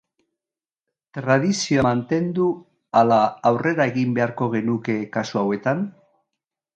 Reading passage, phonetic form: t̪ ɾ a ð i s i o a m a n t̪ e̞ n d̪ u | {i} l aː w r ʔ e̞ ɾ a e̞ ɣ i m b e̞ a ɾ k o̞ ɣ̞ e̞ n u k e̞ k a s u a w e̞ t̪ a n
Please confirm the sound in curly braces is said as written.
no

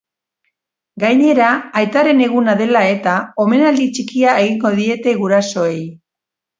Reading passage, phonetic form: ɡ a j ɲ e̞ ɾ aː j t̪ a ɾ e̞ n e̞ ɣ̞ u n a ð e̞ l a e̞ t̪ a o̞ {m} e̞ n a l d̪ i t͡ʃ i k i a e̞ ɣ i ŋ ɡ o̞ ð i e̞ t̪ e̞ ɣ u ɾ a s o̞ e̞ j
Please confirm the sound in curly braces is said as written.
yes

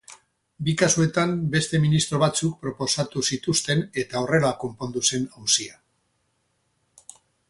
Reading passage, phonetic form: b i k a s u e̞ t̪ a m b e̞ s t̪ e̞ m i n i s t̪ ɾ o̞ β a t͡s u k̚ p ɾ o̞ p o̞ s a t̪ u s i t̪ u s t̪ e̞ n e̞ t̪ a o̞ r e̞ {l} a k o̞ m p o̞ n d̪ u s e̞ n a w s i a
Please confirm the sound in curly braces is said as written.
yes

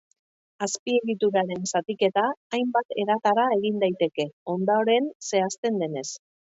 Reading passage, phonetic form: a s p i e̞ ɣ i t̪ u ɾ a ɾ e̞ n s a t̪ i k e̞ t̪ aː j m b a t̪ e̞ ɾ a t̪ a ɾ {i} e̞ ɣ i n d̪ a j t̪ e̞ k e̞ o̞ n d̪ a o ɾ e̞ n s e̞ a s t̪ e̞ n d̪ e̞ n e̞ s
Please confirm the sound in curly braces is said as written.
no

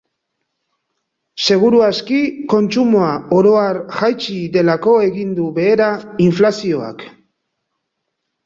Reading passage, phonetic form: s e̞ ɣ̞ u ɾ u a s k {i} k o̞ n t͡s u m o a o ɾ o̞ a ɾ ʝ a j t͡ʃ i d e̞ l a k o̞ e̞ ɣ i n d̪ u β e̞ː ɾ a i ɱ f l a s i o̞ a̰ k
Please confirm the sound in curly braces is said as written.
yes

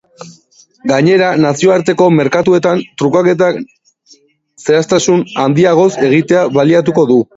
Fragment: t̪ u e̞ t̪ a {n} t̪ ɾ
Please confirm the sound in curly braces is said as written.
yes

